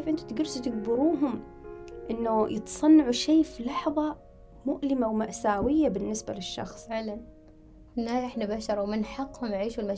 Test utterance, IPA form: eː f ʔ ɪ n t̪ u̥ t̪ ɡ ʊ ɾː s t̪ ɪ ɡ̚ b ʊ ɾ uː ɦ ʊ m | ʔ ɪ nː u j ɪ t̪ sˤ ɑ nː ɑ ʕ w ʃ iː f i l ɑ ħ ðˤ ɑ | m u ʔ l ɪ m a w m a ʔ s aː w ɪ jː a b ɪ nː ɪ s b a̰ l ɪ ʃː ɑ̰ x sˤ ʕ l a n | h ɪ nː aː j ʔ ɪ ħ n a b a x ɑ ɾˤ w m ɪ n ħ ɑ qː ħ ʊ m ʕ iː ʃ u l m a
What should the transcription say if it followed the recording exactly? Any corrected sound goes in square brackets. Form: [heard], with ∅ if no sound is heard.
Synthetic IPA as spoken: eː f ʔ ɪ n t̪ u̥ t̪ ɡ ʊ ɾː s t̪ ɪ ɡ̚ b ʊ ɾ uː ɦ ʊ m | ʔ ɪ nː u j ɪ t̪ sˤ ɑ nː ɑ ʕ [u] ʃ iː f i l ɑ ħ ðˤ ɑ | m [ʊ] ʔ l ɪ m a w m a ʔ s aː w ɪ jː a b ɪ nː ɪ s b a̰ l ɪ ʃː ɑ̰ x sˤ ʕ l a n | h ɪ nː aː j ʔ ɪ ħ n a b a [ʃ] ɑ ɾˤ w m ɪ n ħ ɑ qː [h] ʊ m ʕ iː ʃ u l m a